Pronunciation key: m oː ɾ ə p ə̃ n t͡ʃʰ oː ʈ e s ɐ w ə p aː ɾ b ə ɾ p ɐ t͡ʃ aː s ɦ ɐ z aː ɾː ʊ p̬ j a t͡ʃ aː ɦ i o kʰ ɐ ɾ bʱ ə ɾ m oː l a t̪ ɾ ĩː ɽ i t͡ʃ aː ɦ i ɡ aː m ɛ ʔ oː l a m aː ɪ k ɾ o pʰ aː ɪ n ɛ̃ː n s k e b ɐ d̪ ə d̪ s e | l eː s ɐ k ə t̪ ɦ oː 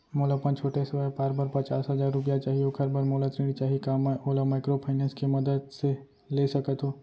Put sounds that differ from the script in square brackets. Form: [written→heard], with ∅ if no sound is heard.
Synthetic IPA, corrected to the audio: m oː [ɾ→l] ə p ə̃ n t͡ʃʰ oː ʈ e s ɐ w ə p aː ɾ b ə ɾ p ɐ t͡ʃ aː s ɦ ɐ z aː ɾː ʊ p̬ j a t͡ʃ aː ɦ i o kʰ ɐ ɾ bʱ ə ɾ m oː l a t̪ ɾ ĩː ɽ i t͡ʃ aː ɦ i [ɡ→k] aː m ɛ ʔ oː l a m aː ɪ k ɾ o pʰ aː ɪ n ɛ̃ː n s k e [b→m] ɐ d̪ ə d̪ s e | l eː s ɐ k ə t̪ ɦ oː